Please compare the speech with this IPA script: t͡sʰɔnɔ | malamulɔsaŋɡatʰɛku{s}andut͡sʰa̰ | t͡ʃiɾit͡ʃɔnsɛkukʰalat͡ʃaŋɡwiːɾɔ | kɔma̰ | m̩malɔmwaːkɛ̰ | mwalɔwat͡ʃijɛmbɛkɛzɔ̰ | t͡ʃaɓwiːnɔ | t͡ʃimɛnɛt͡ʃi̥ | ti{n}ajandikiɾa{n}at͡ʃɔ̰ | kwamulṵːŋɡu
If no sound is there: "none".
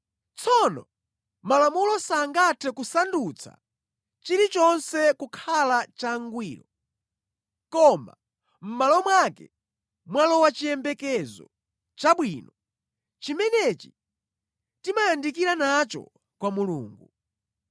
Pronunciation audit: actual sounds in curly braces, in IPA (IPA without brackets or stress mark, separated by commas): s, m, n